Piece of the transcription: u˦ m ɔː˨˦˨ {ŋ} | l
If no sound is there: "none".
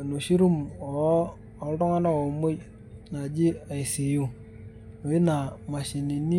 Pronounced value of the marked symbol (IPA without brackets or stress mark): none